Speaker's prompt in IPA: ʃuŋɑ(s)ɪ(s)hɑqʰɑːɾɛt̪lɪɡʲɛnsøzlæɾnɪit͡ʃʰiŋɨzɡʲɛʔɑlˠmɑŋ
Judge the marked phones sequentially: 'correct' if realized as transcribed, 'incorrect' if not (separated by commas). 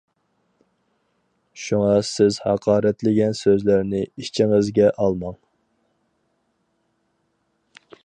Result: correct, incorrect